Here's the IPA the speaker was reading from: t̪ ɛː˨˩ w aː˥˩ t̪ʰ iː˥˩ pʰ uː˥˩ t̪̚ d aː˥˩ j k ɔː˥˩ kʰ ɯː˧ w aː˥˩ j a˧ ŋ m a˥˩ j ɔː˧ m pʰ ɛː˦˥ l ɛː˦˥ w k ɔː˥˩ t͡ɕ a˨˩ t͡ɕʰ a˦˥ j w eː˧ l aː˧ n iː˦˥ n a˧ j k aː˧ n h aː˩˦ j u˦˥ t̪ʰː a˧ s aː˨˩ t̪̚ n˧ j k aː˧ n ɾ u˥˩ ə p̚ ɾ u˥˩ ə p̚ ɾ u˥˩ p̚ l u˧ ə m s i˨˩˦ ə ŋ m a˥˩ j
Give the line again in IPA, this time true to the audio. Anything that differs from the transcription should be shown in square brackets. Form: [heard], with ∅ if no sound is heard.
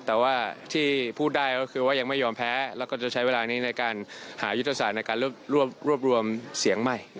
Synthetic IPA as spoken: t̪ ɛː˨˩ w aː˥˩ t̪ʰ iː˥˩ pʰ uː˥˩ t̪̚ d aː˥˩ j k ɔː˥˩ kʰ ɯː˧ w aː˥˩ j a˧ ŋ m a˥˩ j ɔː˧ m pʰ ɛː˦˥ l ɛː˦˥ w k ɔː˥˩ t͡ɕ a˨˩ t͡ɕʰ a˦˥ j w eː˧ l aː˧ n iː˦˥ n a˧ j k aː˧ n h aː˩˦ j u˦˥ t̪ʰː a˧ s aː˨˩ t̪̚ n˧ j k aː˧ n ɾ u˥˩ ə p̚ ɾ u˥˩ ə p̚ ɾ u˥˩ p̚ [ɾ] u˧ ə m s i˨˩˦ ə ŋ m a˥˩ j